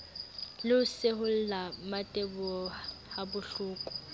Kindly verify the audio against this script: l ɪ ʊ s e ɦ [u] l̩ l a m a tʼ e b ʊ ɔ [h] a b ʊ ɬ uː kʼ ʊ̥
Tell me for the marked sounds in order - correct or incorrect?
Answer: incorrect: ʊ, correct

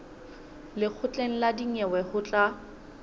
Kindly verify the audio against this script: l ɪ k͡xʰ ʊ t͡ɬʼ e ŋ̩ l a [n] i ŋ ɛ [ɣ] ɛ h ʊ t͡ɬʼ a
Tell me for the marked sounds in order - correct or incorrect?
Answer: incorrect: d, incorrect: w

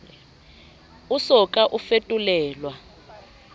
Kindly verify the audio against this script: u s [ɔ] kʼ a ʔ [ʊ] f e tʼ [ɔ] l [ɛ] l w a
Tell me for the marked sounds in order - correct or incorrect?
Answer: correct, incorrect: u, incorrect: u, incorrect: ɛː

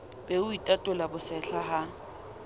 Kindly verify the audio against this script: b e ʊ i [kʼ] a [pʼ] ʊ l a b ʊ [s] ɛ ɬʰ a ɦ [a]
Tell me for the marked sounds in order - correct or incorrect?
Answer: incorrect: tʼ, incorrect: tʼ, correct, correct

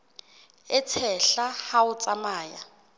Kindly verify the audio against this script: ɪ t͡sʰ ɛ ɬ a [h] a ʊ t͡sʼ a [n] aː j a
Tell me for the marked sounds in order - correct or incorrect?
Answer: correct, incorrect: m

